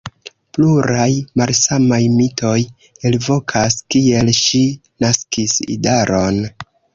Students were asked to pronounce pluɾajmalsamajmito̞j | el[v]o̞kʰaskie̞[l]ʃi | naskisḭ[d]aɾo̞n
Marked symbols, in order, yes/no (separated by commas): yes, yes, yes